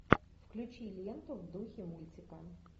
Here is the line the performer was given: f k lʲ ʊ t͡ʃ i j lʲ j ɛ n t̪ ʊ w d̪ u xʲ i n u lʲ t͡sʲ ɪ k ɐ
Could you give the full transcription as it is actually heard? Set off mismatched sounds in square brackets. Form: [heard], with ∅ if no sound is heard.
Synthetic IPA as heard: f k lʲ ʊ t͡ʃ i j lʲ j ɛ n t̪ ʊ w d̪ u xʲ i [m] u lʲ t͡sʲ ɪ k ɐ